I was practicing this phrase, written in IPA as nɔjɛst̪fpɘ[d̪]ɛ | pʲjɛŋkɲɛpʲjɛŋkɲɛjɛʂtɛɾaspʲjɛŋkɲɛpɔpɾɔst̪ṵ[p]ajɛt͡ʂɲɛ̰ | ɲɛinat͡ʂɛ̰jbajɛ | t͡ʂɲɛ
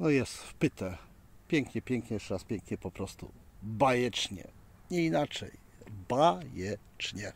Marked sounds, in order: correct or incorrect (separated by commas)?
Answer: incorrect, incorrect